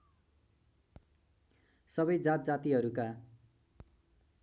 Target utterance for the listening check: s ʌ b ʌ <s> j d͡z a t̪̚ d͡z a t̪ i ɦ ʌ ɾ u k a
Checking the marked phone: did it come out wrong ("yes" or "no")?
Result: yes